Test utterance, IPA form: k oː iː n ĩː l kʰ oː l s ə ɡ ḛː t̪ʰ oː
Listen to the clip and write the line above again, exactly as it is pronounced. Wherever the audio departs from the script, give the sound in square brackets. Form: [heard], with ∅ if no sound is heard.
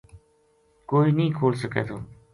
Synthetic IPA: k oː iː n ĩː [∅] kʰ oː l s ə [k] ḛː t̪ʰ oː